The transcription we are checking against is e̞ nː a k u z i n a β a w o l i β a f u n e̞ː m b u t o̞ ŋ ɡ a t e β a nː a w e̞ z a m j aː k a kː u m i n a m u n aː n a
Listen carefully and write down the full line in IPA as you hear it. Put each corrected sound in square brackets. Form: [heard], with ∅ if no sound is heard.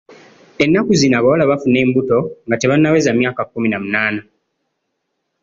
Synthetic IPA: e̞ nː a k u z i n a β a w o l [a] β a f u n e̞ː m b u t o̞ ŋ ɡ a t e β a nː a w e̞ z a m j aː k a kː u m i n a m u n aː n a